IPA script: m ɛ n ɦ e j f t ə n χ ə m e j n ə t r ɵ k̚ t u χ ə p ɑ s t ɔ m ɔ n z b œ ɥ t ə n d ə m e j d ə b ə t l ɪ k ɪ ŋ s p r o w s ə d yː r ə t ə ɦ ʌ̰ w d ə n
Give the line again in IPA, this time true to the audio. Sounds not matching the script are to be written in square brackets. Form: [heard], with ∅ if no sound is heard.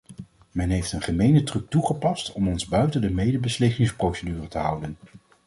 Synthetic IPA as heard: m ɛ n ɦ e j f t ə n χ ə m e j n ə t r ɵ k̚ t u χ ə p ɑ s t ɔ m ɔ n z b œ ɥ t ə n d ə m e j d ə b ə [s] l ɪ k ɪ ŋ s p r o w s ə d yː r ə t ə ɦ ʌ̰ w d ə n